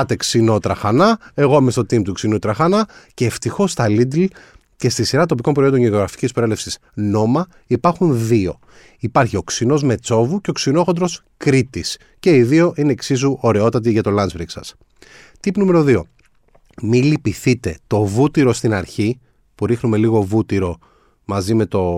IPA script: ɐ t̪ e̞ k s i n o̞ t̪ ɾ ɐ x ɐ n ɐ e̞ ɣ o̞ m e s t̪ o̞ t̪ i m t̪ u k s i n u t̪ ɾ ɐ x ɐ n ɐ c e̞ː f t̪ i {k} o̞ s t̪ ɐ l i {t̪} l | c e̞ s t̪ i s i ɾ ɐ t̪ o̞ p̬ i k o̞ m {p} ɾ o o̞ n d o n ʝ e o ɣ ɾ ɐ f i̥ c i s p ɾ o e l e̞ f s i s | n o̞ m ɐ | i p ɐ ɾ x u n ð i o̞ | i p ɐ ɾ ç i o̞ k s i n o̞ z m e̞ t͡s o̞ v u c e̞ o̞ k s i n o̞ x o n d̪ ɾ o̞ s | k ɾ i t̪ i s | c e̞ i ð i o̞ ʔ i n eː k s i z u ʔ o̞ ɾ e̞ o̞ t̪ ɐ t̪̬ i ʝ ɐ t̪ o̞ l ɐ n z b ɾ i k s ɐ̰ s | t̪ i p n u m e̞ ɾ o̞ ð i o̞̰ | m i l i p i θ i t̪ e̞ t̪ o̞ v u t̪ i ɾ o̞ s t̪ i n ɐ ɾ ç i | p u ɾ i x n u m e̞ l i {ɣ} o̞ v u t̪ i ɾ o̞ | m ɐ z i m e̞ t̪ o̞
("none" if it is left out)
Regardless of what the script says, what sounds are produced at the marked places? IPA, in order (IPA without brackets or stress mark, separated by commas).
x, d̪, p, ɣ